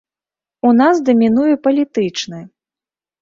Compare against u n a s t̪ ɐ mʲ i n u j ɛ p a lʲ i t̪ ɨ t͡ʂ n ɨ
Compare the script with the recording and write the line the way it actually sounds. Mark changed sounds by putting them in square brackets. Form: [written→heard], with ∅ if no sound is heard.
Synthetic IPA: u n a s [t̪→d̪] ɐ mʲ i n u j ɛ p [a→ɐ] lʲ i t̪ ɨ t͡ʂ n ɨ